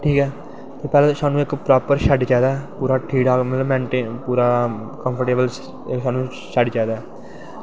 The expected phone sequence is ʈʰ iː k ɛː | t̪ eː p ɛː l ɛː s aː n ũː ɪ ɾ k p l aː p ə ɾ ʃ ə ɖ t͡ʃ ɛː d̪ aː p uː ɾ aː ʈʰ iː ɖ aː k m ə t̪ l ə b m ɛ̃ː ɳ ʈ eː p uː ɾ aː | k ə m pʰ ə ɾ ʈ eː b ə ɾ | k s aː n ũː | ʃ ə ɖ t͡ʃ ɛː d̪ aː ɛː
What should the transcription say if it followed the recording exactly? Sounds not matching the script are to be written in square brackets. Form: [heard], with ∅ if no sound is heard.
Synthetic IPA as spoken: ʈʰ iː k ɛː | t̪ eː p ɛː l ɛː s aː n ũː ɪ [∅] k p [ɾ] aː p ə ɾ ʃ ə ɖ t͡ʃ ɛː d̪ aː p uː ɾ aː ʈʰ iː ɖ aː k m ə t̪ l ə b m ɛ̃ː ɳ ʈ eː p uː ɾ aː | k ə m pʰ ə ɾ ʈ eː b ə [l] | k s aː n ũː | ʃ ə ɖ t͡ʃ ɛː d̪ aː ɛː